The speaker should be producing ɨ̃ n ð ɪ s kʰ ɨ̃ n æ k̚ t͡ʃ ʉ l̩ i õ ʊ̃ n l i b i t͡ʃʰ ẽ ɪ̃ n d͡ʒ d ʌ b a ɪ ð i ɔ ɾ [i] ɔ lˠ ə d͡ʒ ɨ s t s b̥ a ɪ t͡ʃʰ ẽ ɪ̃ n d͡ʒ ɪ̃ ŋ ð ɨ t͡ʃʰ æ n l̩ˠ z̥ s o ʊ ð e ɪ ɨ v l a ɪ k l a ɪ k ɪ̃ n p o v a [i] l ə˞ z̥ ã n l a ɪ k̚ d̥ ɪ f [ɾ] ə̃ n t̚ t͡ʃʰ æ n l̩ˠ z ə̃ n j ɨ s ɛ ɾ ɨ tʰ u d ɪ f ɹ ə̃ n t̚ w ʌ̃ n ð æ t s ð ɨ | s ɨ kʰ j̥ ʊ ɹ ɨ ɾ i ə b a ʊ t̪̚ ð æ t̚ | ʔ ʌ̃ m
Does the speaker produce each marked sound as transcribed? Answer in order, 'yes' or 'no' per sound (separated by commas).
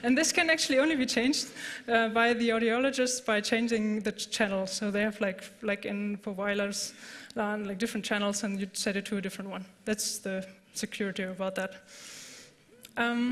yes, no, no